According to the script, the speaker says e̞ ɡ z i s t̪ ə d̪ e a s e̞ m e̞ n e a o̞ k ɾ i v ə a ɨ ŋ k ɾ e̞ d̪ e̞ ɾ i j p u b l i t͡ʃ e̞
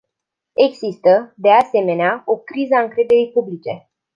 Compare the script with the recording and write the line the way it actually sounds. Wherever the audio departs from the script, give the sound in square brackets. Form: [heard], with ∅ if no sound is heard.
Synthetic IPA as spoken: e̞ ɡ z i s t̪ ə d̪ e a s e̞ m e̞ n e a o̞ k ɾ i [z] ə a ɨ ŋ k ɾ e̞ d̪ e̞ ɾ i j p u b l i t͡ʃ e̞

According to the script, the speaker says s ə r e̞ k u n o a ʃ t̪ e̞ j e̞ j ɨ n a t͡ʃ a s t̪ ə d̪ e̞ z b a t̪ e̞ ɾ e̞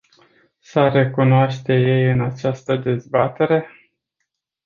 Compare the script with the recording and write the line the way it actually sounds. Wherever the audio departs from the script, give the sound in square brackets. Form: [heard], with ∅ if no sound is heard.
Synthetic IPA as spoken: s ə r e̞ k u n o a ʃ t̪ e̞ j e̞ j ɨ n a t͡ʃ a s t̪ ə d̪ e̞ z b a t̪ e̞ ɾ e̞

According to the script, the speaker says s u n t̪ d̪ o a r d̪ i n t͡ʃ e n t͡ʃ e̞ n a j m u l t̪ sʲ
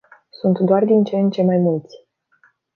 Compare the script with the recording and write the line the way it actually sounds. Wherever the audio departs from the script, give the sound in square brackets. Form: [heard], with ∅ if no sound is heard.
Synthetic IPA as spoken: s u n t̪ d̪ o a r d̪ i n t͡ʃ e n t͡ʃ e̞ [m] a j m u l t̪ sʲ

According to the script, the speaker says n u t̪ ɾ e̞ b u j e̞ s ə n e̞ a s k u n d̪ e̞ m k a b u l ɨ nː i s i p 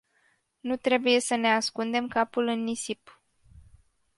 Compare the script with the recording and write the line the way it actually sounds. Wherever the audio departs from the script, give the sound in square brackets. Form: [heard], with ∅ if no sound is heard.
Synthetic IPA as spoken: n u t̪ ɾ e̞ b u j e̞ s ə n e̞ a s k u n d̪ e̞ m k a [p] u l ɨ nː i s i p

